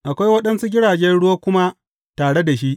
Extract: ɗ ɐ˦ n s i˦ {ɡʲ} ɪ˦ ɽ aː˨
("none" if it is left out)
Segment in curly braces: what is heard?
ɡʲ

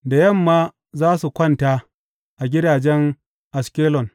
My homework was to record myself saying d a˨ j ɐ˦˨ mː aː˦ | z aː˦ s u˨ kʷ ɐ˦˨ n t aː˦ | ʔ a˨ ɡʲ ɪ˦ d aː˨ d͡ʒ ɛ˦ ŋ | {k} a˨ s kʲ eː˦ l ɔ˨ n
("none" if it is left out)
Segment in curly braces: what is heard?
ʔ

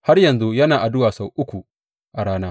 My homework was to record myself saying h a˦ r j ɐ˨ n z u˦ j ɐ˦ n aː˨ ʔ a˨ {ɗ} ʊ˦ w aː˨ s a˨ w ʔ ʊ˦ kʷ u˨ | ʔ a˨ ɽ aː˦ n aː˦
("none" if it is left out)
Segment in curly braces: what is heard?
d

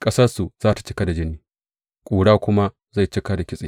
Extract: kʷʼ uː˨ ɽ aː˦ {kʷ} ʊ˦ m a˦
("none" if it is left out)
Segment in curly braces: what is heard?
kʷ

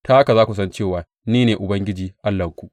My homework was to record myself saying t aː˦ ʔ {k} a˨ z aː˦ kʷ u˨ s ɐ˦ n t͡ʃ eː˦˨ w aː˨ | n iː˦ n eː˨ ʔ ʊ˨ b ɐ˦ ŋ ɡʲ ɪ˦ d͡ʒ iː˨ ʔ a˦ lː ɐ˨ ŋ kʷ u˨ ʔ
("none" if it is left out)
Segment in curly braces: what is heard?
k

